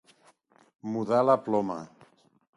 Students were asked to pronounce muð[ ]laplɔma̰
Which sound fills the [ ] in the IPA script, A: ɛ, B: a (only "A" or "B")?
B